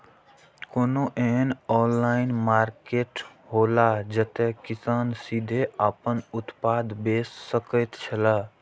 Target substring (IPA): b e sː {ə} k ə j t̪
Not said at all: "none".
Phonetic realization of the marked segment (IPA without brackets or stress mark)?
ə